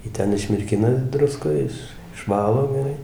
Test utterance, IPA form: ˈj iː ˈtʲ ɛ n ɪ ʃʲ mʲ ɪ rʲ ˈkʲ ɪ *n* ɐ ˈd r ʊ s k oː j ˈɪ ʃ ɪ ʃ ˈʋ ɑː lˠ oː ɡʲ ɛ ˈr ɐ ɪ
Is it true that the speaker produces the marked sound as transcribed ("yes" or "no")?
yes